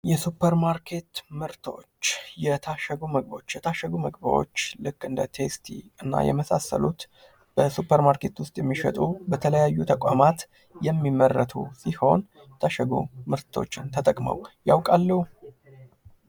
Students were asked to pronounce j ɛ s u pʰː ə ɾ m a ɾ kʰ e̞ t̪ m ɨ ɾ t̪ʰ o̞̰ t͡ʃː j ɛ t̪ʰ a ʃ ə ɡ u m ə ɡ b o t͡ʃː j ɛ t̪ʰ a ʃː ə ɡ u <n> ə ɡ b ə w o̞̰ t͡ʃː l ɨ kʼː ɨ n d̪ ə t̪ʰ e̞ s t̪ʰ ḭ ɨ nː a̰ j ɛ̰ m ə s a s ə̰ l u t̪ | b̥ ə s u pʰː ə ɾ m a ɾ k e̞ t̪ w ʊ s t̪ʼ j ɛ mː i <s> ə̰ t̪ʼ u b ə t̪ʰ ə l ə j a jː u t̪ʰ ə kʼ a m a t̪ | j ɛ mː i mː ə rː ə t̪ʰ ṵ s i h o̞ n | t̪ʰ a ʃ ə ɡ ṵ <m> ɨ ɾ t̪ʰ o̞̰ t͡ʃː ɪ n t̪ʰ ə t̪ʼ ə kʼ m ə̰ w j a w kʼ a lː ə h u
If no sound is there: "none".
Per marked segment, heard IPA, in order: m, ʃ, m

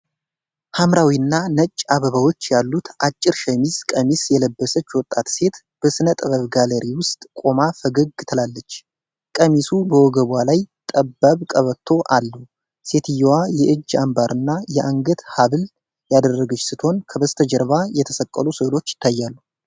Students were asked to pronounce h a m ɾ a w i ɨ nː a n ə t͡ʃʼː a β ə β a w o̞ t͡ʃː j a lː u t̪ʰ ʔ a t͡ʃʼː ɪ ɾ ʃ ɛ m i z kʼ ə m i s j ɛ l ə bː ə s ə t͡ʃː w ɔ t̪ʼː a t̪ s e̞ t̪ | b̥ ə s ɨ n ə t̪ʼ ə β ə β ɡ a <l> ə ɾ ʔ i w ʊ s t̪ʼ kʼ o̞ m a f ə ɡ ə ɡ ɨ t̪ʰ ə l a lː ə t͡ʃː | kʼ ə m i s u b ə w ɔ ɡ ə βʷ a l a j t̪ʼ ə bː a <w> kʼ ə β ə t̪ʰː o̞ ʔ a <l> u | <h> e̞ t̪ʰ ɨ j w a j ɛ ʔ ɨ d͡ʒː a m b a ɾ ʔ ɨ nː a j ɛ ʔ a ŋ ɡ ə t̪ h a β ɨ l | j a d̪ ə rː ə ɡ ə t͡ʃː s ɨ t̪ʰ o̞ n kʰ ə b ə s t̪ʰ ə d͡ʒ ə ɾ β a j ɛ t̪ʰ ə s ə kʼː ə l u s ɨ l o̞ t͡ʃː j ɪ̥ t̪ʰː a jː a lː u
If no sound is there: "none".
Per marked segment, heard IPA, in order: l, β, lː, s

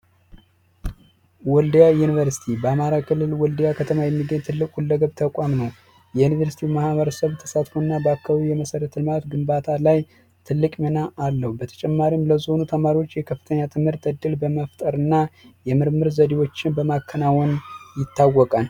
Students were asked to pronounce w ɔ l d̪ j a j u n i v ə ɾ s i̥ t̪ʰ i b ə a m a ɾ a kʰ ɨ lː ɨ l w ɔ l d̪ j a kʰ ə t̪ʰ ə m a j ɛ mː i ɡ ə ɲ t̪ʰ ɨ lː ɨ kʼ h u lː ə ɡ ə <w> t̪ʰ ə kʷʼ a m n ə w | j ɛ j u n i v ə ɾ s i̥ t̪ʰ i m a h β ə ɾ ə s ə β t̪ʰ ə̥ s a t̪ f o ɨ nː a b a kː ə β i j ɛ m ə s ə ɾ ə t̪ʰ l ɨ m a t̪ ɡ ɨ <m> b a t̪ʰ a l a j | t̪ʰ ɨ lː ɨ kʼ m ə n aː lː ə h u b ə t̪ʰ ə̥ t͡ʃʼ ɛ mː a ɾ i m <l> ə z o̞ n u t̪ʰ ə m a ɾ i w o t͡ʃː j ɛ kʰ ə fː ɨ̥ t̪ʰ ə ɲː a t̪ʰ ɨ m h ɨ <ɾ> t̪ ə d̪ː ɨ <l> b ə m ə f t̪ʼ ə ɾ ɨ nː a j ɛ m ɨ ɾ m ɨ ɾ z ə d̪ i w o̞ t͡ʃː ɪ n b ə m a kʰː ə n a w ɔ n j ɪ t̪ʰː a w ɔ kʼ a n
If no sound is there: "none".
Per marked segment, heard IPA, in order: β, m, l, ɾ, l

